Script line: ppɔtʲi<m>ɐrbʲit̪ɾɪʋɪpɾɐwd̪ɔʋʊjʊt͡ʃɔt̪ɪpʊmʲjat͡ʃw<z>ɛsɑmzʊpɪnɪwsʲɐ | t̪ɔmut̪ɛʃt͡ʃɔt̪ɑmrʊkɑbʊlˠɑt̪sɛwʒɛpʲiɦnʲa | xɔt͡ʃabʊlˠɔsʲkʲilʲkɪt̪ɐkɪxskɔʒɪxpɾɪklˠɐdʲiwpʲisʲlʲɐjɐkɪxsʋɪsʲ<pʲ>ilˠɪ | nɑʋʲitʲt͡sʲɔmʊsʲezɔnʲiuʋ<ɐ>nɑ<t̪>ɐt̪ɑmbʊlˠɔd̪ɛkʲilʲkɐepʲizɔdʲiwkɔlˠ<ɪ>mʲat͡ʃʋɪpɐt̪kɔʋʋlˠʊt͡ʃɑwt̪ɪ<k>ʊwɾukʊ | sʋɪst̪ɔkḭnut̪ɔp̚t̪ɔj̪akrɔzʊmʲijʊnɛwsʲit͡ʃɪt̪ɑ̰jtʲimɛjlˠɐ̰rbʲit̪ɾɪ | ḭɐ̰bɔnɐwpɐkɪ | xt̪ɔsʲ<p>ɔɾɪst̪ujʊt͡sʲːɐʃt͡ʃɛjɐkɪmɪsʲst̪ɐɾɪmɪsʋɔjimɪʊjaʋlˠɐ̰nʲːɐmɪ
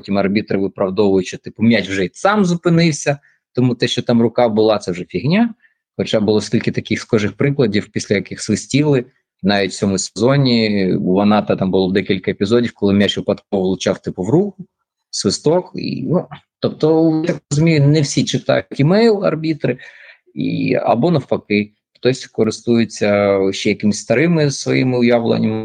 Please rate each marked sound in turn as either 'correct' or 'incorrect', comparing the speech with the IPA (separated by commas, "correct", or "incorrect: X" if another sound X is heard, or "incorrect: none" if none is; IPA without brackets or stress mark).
correct, incorrect: ʒ, incorrect: tʲ, correct, correct, correct, incorrect: p, incorrect: k